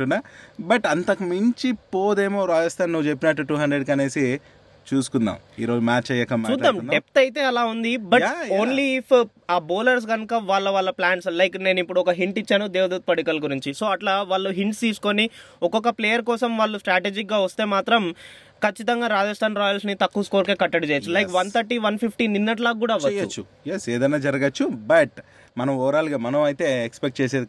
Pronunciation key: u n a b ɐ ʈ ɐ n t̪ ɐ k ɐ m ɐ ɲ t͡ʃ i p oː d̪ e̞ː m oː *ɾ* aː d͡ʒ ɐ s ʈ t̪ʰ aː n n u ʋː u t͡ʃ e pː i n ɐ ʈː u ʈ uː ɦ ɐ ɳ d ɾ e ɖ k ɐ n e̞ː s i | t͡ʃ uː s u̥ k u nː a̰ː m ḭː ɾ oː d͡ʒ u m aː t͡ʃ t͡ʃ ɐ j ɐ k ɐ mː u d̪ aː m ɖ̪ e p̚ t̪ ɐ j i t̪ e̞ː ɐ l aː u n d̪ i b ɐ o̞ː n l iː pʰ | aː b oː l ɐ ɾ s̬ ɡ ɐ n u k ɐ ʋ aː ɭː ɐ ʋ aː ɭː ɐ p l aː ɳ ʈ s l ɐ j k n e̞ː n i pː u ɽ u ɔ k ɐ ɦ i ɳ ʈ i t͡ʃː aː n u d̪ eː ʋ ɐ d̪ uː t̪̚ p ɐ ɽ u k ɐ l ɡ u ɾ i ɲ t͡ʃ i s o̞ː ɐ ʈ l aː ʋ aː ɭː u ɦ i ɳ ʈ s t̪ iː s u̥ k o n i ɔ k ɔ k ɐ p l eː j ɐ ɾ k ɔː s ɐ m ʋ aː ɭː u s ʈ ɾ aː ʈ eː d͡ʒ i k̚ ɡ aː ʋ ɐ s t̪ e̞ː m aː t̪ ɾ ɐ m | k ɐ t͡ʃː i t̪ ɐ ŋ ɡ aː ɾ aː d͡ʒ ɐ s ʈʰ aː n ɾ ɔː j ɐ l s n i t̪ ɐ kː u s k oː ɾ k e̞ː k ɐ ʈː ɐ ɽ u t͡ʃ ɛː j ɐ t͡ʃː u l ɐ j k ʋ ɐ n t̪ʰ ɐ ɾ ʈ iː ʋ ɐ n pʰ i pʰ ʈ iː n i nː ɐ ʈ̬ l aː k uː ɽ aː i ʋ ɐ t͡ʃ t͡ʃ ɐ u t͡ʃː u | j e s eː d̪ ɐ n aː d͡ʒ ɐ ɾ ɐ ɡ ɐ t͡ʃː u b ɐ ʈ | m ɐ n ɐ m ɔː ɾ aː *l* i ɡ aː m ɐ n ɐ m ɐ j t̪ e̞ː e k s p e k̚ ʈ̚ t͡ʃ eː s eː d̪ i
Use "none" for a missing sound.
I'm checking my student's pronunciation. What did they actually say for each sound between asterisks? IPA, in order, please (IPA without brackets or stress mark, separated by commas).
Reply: ɾ, l